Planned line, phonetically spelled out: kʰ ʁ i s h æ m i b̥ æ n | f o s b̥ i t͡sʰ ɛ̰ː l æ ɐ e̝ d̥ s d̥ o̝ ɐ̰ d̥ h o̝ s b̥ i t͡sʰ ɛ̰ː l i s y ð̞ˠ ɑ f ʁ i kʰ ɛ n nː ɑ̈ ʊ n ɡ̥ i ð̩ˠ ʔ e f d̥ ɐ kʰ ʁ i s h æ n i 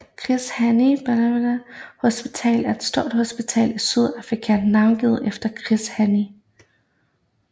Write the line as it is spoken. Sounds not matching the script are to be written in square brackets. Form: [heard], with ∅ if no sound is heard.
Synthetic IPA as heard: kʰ ʁ i s h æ [n] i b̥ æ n | [h] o s b̥ i t͡sʰ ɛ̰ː l æ ɐ e̝ d̥ s d̥ o̝ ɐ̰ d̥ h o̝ s b̥ i t͡sʰ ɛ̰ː l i s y ð̞ˠ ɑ f ʁ i kʰ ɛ n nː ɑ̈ ʊ n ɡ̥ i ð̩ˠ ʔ e f d̥ ɐ kʰ ʁ i s h æ n i